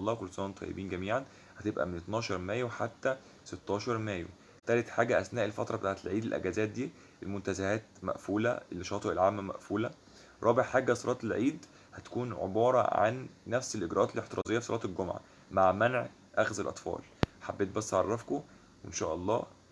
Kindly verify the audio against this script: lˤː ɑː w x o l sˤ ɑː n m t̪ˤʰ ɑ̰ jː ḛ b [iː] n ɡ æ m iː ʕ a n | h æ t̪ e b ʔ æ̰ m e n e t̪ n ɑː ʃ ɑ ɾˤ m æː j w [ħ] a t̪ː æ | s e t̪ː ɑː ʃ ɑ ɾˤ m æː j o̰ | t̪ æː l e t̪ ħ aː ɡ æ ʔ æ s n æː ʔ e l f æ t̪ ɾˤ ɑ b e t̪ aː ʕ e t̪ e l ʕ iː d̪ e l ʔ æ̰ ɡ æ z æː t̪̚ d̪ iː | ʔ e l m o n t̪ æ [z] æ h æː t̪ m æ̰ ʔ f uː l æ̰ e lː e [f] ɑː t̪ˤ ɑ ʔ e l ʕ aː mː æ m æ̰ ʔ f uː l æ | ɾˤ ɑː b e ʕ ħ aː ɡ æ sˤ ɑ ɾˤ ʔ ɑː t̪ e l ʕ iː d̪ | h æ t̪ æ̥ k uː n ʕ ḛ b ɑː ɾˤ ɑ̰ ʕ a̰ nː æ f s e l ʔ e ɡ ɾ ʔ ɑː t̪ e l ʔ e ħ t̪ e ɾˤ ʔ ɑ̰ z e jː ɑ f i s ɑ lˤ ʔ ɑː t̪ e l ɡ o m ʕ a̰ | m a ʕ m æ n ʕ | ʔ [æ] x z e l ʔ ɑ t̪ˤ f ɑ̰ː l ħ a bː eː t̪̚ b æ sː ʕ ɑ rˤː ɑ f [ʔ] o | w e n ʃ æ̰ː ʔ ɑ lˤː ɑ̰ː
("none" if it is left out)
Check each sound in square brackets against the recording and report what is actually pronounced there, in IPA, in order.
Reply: iː, ħ, z, ʃ, æ, k

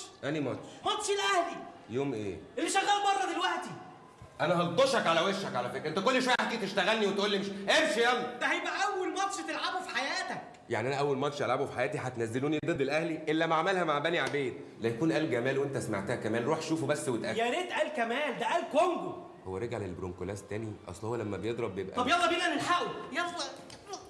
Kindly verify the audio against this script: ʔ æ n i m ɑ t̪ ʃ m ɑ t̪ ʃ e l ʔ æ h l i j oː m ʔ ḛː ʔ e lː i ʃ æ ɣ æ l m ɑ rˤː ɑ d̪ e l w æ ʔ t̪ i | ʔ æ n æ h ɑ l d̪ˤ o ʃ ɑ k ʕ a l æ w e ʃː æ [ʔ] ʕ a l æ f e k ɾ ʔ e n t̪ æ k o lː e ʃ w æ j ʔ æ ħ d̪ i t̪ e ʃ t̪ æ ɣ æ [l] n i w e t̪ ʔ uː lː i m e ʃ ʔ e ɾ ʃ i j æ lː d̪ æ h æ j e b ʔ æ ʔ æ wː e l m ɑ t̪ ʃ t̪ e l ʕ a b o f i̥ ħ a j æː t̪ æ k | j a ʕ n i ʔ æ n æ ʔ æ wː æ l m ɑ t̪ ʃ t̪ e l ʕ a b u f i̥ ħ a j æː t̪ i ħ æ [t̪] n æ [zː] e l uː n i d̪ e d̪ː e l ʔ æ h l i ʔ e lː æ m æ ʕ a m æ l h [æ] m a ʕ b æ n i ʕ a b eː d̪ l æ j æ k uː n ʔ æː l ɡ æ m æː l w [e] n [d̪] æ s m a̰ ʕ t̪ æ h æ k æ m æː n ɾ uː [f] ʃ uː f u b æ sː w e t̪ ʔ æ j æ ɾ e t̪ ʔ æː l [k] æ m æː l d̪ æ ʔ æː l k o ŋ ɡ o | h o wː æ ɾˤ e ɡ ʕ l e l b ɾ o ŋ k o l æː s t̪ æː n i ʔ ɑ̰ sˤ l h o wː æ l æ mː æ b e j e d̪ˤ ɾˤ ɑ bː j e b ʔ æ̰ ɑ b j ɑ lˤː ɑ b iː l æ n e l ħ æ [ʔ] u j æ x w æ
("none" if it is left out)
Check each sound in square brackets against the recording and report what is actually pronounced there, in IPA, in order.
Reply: k, l, t̪, zː, æ, e, t̪, ħ, k, ʔ

